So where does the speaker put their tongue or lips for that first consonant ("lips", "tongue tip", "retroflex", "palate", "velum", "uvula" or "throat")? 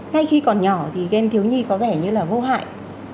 velum